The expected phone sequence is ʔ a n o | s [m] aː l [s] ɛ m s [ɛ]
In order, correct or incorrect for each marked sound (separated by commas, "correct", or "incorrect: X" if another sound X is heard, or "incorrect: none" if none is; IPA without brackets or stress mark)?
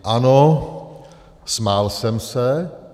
correct, correct, correct